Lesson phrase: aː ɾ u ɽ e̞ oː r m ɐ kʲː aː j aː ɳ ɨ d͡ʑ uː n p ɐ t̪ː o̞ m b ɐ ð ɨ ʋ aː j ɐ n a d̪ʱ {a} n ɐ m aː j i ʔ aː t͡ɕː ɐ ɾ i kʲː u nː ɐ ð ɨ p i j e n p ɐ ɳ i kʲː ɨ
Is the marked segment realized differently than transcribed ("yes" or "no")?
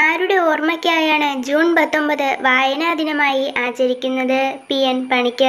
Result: yes